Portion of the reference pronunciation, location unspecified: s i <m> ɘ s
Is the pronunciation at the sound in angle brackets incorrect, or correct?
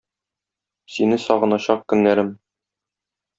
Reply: incorrect